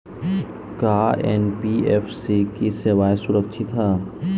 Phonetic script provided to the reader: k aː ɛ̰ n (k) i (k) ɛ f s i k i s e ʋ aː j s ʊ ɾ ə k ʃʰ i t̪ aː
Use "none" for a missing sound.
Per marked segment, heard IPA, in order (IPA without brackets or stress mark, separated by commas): p, none